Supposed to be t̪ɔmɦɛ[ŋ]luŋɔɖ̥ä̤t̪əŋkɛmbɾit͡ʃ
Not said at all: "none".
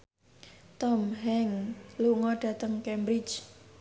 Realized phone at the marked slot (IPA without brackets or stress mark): ŋ